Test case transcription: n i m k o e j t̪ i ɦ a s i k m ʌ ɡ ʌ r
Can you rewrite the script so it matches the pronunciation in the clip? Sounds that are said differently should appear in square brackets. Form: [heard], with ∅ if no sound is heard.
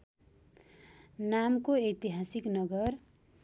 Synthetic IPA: n [a] m k o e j t̪ i ɦ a s i k [n] ʌ ɡ ʌ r